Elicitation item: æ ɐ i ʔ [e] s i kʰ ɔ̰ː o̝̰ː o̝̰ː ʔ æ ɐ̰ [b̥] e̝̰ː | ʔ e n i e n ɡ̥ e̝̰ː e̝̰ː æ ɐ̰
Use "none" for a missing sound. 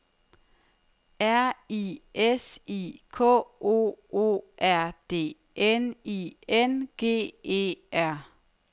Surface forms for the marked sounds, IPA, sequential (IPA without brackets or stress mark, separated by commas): e, d̥